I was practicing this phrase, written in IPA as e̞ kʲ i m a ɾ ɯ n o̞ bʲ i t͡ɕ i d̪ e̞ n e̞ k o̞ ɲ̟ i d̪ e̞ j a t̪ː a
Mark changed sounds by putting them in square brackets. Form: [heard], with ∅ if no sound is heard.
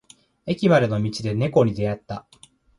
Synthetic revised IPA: e̞ kʲ i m a ɾ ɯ n o̞ [mʲ] i t͡ɕ i d̪ e̞ n e̞ k o̞ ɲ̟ i d̪ e̞ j a t̪ː a